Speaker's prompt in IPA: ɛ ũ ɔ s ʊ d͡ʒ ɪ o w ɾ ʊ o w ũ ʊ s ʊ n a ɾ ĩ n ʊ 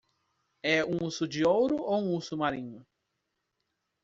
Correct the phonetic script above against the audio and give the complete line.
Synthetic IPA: ɛ ũ u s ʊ d͡ʒ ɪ o w ɾ ʊ o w ũ u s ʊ m a ɾ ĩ ɲ ʊ